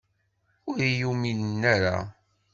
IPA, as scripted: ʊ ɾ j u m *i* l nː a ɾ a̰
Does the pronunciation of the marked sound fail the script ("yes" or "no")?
no